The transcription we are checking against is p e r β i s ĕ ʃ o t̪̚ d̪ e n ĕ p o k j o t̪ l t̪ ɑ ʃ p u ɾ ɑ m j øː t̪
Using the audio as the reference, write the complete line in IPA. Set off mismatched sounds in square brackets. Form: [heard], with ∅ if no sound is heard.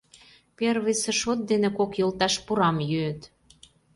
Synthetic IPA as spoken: p e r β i s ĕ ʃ o t̪̚ d̪ e n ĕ [k] o k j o [∅] l t̪ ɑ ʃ p u ɾ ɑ m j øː t̪